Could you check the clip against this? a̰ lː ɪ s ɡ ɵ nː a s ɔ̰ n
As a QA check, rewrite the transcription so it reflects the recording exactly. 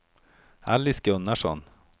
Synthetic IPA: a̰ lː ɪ s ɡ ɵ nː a ʂ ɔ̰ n